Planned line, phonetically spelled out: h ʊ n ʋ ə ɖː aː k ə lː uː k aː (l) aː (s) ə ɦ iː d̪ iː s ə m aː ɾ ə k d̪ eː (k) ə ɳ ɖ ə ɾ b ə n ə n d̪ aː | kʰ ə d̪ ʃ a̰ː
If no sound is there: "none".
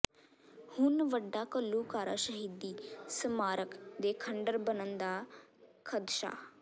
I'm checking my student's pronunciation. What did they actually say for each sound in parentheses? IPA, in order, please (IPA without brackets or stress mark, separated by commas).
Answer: ɾ, ʃ, kʰ